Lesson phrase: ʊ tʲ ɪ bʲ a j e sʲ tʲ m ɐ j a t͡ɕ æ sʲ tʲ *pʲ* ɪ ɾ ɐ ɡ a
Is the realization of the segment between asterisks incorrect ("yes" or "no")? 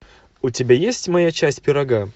no